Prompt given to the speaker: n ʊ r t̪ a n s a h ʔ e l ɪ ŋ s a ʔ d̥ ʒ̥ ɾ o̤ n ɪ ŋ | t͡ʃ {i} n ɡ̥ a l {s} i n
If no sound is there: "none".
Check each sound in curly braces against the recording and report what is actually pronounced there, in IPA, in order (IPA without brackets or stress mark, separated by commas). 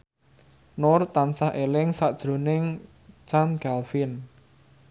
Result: a, f